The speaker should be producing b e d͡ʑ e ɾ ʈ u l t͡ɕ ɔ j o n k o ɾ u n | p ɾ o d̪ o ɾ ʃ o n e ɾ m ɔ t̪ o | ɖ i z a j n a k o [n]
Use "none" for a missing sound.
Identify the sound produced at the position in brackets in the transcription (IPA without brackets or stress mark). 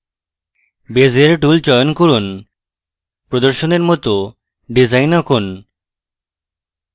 n